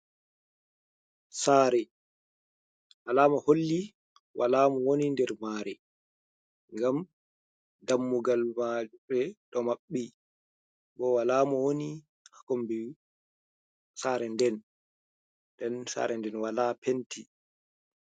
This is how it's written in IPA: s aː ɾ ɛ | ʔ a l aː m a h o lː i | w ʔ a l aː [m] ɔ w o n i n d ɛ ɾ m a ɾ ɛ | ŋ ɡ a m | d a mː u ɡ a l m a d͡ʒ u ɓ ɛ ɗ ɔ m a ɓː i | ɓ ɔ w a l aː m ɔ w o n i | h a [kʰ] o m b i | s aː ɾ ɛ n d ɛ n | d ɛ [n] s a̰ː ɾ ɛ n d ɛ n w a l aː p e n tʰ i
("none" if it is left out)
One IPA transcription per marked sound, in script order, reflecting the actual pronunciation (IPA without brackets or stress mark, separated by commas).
m, k, n